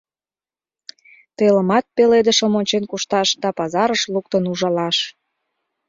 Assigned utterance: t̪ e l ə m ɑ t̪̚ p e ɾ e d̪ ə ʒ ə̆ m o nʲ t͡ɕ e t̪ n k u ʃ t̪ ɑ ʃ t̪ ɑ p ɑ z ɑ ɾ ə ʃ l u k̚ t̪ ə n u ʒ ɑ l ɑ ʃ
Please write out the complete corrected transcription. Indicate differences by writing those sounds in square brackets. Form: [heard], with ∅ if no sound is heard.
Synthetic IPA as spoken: t̪ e l ə m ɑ t̪̚ p e [l] e d̪ ə [ʃ] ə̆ m o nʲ t͡ɕ e [∅] n k u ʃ t̪ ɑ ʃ [d̪] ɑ p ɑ z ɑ ɾ ə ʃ l u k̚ t̪ ə n u ʒ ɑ l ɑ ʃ